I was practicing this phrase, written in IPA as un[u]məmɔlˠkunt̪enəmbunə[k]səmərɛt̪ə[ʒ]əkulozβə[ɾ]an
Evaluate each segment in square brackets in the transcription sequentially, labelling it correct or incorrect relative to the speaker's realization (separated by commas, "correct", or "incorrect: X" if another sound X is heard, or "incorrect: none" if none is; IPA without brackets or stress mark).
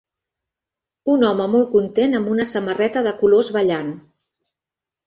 incorrect: ɔ, incorrect: none, incorrect: ð, incorrect: ʎ